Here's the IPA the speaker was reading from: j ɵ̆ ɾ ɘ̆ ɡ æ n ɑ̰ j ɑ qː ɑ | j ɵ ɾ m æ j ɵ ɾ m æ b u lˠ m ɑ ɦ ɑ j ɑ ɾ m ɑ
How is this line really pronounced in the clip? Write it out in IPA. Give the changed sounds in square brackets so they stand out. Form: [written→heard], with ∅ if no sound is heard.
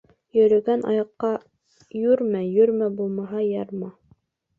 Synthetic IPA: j ɵ̆ ɾ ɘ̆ ɡ æ n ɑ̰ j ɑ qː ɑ | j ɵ ɾ m æ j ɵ ɾ m æ b u lˠ m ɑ ɦ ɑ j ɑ ɾ m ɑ